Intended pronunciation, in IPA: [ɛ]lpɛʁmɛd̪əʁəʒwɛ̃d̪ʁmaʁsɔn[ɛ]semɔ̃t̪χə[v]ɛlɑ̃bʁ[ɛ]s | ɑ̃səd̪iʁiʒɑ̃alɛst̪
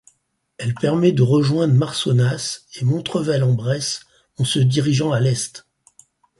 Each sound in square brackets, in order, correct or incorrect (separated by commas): correct, incorrect, correct, correct